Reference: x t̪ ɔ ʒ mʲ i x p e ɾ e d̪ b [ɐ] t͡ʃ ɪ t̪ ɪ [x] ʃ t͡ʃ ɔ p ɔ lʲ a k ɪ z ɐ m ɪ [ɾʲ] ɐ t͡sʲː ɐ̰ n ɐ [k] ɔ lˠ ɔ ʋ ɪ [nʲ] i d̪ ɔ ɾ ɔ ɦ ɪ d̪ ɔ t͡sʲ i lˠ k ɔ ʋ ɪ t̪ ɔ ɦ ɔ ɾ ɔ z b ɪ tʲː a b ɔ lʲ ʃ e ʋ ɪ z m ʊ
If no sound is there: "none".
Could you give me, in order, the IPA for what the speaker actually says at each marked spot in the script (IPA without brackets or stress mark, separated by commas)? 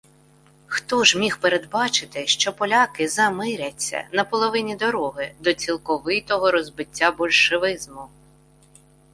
ɑ, none, ɾʲ, p, nʲ